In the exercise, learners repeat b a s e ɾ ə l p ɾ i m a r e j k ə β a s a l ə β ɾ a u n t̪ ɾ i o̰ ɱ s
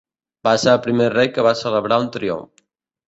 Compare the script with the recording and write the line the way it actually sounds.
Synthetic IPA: b a s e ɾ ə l p ɾ i m e r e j k ə β a s ə l ə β ɾ a u n t̪ ɾ i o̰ ɱ f